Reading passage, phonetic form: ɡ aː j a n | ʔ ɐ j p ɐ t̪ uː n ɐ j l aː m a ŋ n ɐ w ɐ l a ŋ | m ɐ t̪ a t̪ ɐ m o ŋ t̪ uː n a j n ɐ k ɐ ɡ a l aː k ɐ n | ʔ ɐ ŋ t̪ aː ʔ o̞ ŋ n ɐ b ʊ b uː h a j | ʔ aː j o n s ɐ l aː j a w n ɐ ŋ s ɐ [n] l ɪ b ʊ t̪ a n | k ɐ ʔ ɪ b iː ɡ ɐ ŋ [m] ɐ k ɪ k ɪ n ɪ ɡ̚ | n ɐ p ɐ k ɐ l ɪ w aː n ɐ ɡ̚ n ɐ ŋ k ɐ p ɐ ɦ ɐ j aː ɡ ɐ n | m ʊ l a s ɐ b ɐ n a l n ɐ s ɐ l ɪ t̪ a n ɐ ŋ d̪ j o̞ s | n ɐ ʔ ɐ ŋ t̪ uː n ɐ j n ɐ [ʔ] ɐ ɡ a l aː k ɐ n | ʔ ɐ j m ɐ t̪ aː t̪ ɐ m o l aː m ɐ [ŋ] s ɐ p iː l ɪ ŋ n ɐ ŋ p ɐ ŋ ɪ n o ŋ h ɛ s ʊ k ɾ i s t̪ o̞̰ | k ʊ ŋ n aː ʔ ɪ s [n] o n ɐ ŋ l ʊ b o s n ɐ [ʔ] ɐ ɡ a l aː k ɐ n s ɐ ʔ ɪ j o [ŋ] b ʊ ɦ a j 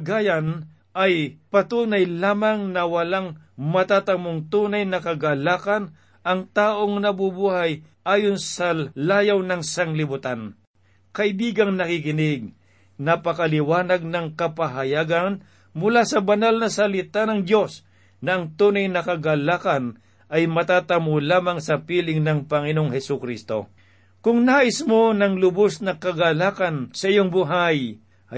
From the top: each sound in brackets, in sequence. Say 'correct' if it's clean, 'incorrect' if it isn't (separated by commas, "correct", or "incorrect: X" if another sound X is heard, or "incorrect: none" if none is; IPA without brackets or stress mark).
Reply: incorrect: ŋ, incorrect: n, incorrect: k, correct, incorrect: m, incorrect: k, correct